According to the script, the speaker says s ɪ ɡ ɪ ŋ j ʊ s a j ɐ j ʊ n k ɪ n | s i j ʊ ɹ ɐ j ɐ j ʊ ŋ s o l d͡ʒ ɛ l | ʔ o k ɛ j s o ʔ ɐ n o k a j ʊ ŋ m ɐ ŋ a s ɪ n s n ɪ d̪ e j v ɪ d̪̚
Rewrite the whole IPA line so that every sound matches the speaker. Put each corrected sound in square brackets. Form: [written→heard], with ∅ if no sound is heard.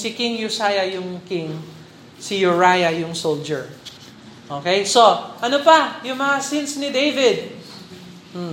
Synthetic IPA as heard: s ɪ [ɡ→k] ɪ ŋ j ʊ s a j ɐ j ʊ [n→ŋ] k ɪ [n→ŋ] | s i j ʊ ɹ [ɐ→a] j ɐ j ʊ ŋ s o l d͡ʒ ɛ [l→ɹ] | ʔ o k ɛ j s o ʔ ɐ n o [k→p] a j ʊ ŋ m ɐ ŋ a s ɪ n s n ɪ d̪ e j v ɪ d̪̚